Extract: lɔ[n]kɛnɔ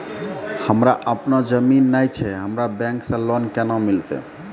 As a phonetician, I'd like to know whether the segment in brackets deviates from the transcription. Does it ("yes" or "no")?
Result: no